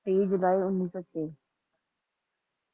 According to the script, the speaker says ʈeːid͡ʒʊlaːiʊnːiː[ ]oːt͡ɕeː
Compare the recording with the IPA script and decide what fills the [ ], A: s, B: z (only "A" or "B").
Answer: A